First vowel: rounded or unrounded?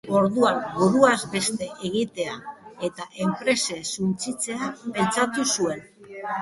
rounded